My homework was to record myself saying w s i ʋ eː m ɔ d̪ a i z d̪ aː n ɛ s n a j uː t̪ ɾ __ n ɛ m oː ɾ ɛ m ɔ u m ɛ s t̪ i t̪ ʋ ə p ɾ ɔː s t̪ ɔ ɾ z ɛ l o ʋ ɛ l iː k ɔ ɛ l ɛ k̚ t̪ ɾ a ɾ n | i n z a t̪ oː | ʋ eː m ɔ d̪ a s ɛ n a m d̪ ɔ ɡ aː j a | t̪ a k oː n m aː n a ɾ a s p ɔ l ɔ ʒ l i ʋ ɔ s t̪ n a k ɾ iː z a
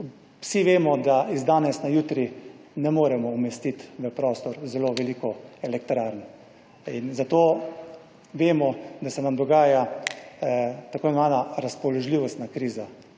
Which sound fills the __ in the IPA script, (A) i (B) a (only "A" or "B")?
A